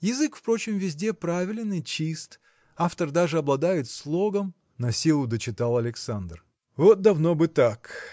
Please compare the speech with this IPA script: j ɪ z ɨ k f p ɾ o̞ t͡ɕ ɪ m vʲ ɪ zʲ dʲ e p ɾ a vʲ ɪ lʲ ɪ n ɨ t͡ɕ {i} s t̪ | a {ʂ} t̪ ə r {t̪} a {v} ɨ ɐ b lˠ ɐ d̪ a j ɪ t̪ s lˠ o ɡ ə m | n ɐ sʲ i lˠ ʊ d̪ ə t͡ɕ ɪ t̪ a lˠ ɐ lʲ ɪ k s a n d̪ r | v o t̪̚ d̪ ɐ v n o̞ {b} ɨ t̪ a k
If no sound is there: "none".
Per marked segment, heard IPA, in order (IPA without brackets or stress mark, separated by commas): i, f, d̪, ʐ, b